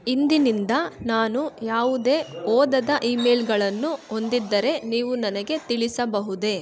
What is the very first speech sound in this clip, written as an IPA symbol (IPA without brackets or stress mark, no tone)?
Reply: i